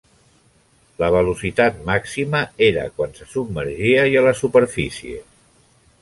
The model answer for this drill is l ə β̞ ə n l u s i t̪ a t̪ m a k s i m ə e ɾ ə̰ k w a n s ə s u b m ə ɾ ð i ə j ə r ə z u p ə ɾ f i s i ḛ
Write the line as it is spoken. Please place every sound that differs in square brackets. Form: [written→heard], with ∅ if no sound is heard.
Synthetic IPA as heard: l ə β̞ ə [n→∅] l u s i t̪ a t̪ m a k s i m ə e ɾ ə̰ k w a n s ə s u b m ə ɾ [ð→ʒ] i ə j ə [r→l] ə [z→s] u p ə ɾ f i s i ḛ